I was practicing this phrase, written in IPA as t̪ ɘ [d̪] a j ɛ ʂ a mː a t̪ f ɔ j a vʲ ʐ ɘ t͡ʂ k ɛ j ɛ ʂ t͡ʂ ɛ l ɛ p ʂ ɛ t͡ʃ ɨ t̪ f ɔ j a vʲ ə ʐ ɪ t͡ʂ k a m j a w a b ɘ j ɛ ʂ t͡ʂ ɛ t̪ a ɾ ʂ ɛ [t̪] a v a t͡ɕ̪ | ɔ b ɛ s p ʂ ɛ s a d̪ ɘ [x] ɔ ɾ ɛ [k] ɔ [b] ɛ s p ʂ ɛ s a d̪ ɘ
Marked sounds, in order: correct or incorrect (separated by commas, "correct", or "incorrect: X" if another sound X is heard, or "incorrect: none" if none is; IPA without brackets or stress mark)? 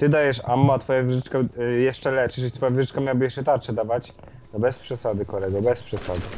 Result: correct, incorrect: d̪, incorrect: k, incorrect: ɡ, correct